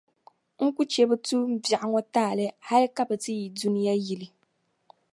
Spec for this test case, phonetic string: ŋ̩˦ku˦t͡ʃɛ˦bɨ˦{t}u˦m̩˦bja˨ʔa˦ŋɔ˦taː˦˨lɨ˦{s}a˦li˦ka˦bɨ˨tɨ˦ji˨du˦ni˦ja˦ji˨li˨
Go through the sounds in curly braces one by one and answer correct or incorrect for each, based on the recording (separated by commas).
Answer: correct, incorrect